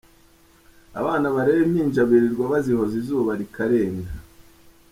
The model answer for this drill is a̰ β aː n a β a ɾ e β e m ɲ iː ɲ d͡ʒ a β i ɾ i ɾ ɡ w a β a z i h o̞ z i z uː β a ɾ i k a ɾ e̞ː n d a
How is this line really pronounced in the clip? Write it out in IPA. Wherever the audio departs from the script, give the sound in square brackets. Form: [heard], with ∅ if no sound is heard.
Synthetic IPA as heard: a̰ β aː n a β a ɾ e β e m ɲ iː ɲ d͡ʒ a β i ɾ i ɾ ɡ w a β a z i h o̞ z i z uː β a ɾ i k a ɾ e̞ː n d a